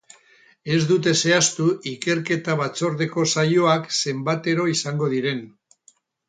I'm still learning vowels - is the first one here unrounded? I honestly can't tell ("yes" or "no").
yes